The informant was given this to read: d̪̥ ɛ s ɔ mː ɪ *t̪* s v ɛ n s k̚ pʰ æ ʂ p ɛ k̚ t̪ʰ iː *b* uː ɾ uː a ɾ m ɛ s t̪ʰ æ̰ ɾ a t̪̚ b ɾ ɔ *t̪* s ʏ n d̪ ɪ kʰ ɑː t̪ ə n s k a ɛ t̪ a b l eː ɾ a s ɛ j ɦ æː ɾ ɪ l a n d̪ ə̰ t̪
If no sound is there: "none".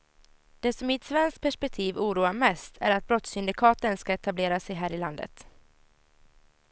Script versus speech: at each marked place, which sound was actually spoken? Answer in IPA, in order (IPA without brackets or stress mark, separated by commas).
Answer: t̪, v, t̪